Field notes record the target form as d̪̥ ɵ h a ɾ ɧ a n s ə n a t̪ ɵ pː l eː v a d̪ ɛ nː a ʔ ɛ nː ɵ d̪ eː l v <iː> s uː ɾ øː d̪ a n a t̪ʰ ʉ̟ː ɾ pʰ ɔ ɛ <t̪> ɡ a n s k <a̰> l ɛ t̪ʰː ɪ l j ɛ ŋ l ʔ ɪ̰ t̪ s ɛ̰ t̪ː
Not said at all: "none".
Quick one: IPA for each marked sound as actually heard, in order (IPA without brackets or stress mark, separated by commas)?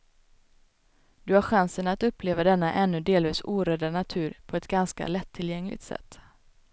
iː, t̪, a̰